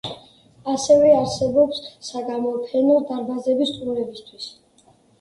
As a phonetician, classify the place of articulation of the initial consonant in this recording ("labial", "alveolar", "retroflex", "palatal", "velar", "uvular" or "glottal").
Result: alveolar